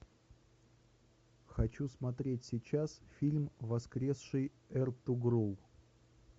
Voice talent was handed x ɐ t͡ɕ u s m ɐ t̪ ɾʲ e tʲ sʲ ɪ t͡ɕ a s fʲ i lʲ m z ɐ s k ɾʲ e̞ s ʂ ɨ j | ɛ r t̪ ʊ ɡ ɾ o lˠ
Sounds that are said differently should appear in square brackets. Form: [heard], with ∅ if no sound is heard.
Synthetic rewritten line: x ɐ t͡ɕ u s m ɐ t̪ ɾʲ e tʲ sʲ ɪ t͡ɕ a s fʲ i lʲ m [v] ɐ s k ɾʲ e̞ s ʂ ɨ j | ɛ r t̪ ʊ ɡ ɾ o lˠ